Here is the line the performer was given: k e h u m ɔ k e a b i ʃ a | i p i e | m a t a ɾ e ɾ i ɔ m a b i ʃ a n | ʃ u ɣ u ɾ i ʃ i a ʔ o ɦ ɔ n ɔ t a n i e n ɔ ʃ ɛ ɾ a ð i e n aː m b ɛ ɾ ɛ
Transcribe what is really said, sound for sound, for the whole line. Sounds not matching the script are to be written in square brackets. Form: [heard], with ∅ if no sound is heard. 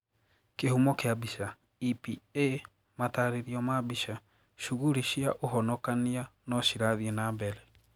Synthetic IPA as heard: k e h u m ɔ k e a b i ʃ a | i p i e | m a t a ɾ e ɾ i ɔ m a b i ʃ a [∅] | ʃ u ɣ u ɾ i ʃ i a ʔ o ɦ ɔ n ɔ [k] a n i [a] n ɔ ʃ [i] ɾ a ð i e n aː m b ɛ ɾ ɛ